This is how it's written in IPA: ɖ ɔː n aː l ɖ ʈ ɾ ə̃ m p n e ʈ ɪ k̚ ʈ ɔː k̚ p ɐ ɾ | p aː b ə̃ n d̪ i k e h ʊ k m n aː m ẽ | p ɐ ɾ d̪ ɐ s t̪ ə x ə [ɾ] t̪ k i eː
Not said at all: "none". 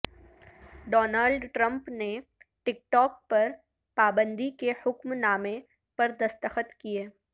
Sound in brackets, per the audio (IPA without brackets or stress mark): none